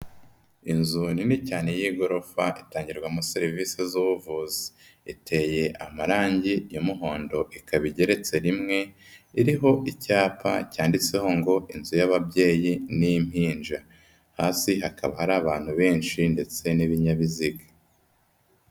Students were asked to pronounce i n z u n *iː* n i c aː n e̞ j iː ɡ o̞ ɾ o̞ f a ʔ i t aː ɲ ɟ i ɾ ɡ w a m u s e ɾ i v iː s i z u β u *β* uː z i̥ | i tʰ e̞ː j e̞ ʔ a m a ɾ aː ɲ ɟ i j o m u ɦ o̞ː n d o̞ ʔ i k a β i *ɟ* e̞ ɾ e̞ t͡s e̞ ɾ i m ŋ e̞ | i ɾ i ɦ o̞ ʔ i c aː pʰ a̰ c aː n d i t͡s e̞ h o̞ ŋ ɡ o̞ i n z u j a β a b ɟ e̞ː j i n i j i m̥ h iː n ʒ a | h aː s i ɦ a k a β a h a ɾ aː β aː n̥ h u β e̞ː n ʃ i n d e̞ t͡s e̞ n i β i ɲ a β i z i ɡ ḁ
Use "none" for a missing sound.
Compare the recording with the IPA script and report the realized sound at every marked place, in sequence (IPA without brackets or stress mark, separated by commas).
i, v, ɟ